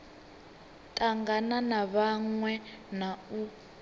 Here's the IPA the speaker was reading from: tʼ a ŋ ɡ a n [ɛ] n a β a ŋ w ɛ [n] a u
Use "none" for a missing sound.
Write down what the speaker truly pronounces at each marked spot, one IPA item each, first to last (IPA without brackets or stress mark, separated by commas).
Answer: a, n